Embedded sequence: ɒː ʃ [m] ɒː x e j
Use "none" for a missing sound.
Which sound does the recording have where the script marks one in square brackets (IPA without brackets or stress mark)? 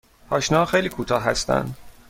n